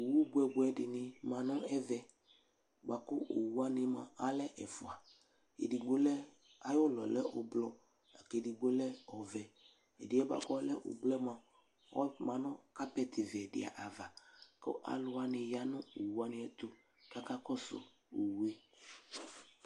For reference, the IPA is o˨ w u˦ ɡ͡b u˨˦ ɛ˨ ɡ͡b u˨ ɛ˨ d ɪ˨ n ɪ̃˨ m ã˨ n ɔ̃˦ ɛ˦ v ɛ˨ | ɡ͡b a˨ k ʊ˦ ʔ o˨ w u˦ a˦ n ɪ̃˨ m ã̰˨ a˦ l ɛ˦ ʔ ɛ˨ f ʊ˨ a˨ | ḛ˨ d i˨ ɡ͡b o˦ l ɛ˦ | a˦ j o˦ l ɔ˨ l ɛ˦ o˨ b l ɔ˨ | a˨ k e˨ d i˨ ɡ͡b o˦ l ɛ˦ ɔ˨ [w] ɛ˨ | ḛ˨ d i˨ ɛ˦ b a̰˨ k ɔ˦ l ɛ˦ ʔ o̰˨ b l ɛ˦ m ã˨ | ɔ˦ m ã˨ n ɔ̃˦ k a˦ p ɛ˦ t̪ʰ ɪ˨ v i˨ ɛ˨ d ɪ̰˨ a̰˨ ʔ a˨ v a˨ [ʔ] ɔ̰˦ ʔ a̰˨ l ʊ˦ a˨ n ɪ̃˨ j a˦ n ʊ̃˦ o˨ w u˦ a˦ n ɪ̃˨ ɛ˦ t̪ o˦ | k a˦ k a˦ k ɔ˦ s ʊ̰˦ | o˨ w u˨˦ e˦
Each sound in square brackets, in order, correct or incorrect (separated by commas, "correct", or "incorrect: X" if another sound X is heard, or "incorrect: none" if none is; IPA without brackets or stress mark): incorrect: v, incorrect: k